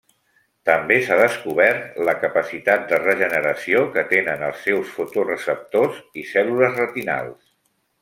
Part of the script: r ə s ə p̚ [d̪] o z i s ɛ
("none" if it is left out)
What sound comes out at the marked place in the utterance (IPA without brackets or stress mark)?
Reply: t̪